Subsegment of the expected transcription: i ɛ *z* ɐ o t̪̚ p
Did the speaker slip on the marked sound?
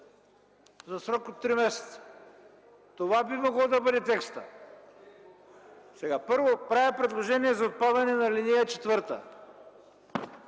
no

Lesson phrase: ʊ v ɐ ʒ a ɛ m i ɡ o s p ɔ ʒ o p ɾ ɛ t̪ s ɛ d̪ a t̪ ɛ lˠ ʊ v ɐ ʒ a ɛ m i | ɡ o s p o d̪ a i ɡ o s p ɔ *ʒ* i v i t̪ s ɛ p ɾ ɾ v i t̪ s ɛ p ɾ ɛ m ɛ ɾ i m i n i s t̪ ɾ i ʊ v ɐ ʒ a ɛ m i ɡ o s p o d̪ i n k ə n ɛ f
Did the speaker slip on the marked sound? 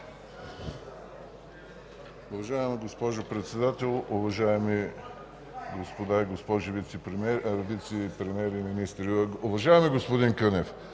no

